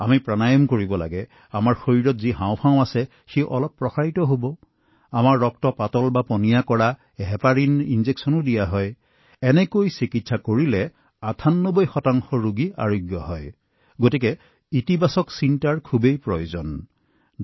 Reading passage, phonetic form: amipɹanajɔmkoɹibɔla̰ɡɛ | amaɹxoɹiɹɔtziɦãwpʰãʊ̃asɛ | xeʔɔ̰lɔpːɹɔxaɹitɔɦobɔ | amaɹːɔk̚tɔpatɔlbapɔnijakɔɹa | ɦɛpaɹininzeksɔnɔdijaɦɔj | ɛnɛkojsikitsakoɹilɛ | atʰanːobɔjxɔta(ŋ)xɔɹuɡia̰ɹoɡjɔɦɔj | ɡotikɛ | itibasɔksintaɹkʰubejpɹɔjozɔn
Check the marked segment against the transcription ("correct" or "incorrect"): correct